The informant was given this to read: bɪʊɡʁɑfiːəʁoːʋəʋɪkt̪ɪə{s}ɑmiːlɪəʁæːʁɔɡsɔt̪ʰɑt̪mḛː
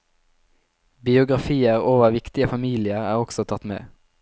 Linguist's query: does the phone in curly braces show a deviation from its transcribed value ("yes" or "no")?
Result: yes